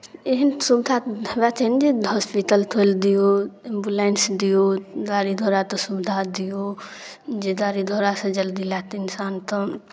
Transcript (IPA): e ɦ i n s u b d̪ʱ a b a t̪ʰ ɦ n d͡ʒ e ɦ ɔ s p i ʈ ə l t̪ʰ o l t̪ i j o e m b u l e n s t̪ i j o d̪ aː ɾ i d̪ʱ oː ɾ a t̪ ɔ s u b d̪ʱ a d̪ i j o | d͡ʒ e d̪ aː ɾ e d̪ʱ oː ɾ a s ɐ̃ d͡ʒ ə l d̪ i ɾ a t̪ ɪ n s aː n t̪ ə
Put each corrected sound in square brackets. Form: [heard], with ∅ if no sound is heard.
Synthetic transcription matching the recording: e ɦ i n s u b d̪ʱ a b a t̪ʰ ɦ n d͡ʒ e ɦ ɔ s p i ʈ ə l t̪ʰ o l [d̪] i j o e m b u l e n s [d̪] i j o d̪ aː ɾ i d̪ʱ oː ɾ a t̪ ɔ s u b d̪ʱ a d̪ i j o | d͡ʒ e d̪ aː ɾ [i] d̪ʱ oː ɾ a s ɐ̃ d͡ʒ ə l d̪ i [l] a t̪ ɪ n s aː n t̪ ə